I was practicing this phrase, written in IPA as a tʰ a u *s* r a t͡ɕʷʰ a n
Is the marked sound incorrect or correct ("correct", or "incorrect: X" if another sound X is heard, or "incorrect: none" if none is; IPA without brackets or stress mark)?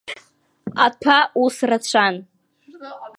correct